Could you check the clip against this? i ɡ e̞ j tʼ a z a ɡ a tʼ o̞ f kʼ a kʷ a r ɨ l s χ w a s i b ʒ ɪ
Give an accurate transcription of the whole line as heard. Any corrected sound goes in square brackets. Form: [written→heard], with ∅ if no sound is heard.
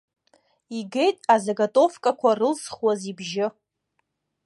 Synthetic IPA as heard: i ɡ e̞ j tʼ a z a ɡ a tʼ o̞ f kʼ a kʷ a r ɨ l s χ w a [s→z] i b ʒ ɪ